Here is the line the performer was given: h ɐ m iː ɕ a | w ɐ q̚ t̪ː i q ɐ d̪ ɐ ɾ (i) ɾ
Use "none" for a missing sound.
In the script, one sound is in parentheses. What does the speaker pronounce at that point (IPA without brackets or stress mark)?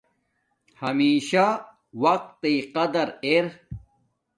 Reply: e